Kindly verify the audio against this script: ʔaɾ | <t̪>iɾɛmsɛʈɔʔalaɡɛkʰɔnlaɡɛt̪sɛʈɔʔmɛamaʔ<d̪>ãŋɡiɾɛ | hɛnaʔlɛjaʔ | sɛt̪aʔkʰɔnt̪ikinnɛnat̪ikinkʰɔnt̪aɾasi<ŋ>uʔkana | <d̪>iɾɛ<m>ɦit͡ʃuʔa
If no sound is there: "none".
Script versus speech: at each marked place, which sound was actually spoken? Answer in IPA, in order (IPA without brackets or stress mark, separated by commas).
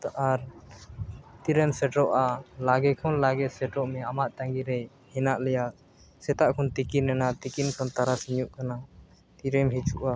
t̪, t̪, ɲ, t̪, m